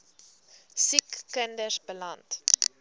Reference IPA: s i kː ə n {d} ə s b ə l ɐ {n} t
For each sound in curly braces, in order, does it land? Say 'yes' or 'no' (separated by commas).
yes, yes